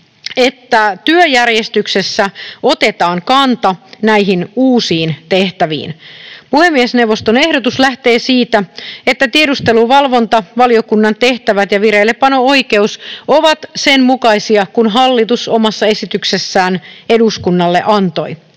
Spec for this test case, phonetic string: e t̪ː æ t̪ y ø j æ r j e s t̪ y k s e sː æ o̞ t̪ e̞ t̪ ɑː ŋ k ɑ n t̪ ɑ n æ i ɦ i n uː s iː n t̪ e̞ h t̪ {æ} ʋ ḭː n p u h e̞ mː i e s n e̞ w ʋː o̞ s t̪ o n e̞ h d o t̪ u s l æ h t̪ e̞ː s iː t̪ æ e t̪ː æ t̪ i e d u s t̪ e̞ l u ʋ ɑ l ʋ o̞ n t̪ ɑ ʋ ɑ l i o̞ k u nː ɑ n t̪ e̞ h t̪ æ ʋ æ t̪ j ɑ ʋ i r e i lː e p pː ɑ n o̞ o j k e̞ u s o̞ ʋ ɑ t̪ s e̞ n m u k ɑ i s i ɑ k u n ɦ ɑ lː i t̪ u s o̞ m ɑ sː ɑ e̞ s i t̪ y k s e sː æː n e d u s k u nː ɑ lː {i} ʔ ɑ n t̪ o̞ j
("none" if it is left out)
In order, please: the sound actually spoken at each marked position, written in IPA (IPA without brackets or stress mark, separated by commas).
æ, e